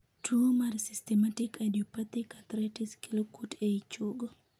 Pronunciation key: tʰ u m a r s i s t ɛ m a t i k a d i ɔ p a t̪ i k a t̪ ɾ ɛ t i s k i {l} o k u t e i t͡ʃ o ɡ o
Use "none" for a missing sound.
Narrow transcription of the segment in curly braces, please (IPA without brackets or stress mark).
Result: l